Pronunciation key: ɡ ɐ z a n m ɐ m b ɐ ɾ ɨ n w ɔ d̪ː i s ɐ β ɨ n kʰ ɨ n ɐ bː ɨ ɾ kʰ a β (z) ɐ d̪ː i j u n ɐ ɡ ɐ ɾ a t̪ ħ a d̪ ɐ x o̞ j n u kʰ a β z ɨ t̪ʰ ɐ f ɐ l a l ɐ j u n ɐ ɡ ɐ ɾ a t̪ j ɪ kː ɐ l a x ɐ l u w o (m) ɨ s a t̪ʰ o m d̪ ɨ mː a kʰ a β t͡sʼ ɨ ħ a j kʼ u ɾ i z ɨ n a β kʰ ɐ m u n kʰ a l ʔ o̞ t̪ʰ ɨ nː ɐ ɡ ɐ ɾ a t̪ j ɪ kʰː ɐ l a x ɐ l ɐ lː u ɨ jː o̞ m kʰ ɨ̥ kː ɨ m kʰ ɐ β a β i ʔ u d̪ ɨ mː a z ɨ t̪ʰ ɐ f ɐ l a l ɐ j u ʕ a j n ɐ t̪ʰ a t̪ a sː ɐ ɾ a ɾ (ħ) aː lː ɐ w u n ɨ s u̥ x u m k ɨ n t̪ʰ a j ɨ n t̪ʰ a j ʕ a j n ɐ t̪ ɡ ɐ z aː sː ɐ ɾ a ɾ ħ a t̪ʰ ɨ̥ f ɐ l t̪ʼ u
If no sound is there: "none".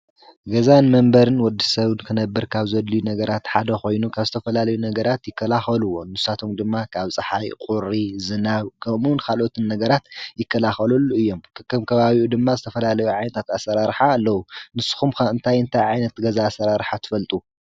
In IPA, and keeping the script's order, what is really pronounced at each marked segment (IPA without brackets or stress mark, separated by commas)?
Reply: z, n, ħ